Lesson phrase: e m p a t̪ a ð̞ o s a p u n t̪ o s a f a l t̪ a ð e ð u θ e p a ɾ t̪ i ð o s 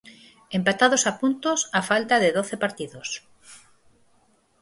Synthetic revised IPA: e m p a t̪ a ð̞ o s a p u n t̪ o s a f a l t̪ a ð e ð o θ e p a ɾ t̪ i ð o s